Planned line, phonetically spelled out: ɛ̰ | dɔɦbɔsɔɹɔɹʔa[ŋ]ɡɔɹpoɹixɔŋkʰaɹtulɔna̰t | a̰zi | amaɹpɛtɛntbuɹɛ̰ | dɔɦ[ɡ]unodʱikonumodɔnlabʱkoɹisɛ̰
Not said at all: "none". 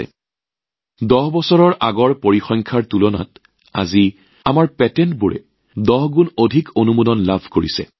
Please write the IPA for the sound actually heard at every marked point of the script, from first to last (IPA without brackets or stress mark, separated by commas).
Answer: none, ɡ